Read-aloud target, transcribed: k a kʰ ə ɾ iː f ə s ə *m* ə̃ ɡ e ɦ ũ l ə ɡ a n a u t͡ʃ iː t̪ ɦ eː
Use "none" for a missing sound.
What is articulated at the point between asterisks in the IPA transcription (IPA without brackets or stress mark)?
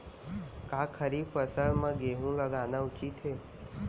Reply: m